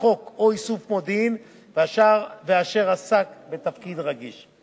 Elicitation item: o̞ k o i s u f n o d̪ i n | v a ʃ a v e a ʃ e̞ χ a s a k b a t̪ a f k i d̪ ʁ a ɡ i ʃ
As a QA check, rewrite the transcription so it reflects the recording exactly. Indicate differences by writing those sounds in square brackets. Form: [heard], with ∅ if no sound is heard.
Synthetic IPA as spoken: o̞ k o i s u f [m] o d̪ i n | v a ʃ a v e a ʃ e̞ [ʁ] a s a k b [e] t̪ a f k i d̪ ʁ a ɡ i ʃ